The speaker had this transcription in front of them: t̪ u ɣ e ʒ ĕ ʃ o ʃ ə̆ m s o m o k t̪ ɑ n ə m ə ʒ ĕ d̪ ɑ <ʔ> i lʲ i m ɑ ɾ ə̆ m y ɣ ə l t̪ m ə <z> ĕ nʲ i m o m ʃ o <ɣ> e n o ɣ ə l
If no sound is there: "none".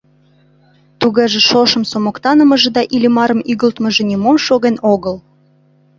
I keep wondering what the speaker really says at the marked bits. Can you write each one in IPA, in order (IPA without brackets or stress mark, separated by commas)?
ʔ, ʒ, ɣ